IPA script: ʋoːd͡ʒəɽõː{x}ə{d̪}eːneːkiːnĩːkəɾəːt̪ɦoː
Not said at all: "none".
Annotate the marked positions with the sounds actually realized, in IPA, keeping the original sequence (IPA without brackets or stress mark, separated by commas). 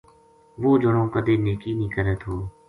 k, d̪